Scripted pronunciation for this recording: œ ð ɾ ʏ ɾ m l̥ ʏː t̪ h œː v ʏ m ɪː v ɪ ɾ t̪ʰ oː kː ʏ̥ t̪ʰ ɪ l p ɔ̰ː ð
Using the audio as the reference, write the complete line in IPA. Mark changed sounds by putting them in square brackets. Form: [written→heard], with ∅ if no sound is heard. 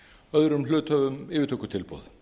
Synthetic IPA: œ ð ɾ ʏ [ɾ→∅] m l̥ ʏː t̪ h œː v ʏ m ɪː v ɪ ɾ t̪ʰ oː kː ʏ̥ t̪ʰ ɪ l p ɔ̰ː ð